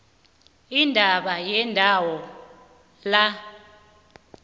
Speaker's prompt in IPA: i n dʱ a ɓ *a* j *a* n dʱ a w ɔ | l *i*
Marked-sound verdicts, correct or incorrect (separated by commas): correct, incorrect, incorrect